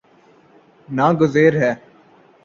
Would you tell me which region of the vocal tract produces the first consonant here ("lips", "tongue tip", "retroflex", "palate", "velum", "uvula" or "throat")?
tongue tip